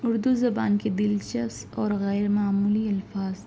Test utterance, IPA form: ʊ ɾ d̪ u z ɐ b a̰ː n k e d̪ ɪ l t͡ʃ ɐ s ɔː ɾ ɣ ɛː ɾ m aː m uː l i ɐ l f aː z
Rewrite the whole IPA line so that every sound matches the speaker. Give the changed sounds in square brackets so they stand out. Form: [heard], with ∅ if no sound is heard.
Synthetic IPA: ʊ ɾ d̪ u z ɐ b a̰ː n k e d̪ ɪ l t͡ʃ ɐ s ɔː ɾ ɣ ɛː ɾ m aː m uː l i ɐ l f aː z